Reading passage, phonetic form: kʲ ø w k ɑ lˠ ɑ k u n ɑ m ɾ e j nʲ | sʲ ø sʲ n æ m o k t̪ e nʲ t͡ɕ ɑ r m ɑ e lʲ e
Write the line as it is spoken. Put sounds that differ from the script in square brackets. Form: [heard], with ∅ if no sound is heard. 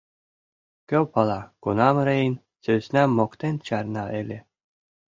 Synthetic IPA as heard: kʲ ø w [p] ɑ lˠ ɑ k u n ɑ m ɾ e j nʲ | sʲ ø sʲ n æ m o k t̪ e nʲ t͡ɕ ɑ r [n] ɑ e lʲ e